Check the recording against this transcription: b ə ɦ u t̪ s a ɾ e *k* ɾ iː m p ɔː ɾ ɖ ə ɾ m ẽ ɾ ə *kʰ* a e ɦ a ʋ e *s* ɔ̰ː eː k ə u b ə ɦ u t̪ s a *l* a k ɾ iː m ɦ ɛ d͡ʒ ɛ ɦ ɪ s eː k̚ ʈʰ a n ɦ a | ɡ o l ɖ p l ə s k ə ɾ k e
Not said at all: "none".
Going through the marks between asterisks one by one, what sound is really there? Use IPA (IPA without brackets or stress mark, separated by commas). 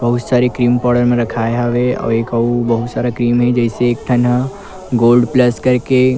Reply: k, kʰ, none, ɾ